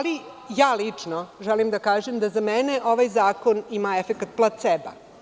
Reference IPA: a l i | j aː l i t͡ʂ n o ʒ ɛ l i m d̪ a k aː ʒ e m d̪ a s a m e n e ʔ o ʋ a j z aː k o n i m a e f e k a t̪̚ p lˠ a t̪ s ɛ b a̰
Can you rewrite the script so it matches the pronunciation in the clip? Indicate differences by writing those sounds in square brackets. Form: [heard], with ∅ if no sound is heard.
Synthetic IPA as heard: a l i | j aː l i t͡ʂ n o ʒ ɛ l i m d̪ a k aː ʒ e m d̪ a [z] a m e n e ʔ o ʋ a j z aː k o n i m a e f e k a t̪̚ p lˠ a t̪ s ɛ b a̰